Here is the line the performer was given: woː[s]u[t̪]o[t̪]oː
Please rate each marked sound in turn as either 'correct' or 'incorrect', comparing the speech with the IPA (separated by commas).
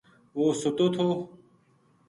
correct, correct, incorrect